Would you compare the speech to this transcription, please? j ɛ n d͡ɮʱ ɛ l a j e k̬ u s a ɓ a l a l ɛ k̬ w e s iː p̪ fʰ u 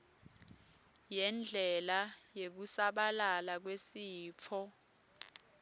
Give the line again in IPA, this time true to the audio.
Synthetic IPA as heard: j ɛ n d͡ɮʱ ɛ l a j e k̬ u s a ɓ a l a l a k̬ w e s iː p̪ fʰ ɔ